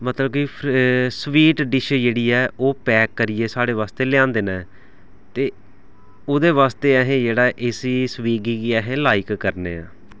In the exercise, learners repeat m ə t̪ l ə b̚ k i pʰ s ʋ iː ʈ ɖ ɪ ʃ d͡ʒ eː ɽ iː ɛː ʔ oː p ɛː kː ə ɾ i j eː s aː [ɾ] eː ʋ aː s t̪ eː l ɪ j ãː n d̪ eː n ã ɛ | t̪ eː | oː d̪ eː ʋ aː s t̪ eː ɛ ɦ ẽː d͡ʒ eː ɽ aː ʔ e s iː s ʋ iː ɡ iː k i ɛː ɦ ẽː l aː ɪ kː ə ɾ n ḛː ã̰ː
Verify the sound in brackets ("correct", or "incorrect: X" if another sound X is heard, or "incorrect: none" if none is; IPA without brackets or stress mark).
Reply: incorrect: ɽ